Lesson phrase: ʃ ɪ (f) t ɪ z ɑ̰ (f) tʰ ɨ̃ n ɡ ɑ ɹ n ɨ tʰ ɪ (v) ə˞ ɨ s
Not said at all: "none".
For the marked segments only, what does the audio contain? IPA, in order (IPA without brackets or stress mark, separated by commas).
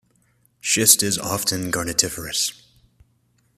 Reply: s, f, f